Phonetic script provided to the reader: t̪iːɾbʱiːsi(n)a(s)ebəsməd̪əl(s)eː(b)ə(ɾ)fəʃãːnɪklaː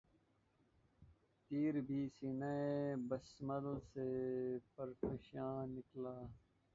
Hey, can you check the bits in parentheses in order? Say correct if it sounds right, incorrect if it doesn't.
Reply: correct, incorrect: none, correct, incorrect: p, correct

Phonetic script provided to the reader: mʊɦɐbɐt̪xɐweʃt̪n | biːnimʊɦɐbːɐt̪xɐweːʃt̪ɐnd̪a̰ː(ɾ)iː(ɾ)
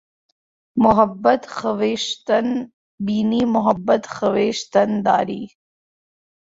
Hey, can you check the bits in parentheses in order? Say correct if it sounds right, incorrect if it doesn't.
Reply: correct, incorrect: none

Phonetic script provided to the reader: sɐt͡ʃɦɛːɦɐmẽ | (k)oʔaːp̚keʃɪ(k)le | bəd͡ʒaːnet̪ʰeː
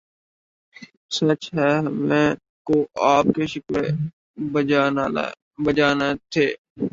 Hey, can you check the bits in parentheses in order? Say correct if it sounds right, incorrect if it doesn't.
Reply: correct, correct

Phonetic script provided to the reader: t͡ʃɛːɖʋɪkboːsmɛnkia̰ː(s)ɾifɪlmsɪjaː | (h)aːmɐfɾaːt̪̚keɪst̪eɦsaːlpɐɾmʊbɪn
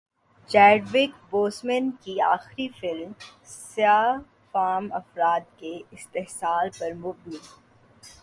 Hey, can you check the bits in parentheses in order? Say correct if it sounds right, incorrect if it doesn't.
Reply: incorrect: x, incorrect: f

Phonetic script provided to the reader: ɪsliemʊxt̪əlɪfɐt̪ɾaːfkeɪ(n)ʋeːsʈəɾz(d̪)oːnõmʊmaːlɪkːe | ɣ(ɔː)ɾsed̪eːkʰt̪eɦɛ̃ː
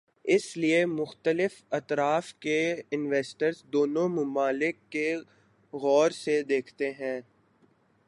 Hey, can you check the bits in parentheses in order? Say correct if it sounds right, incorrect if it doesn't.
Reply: correct, correct, correct

